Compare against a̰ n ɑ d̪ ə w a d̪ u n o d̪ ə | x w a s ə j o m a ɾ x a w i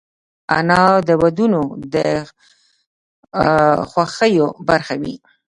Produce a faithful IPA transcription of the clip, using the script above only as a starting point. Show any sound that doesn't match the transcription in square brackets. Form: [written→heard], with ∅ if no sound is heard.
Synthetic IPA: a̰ n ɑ d̪ ə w a d̪ u n o d̪ ə | x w a [s→x] ə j o [m→b] a ɾ x a w i